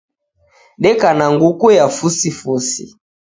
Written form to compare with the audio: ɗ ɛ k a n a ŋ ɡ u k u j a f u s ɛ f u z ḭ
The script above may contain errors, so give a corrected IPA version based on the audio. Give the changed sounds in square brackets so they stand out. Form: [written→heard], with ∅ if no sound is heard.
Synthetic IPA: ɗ ɛ k a n a ŋ ɡ u k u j a f u s [ɛ→i] f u [z→s] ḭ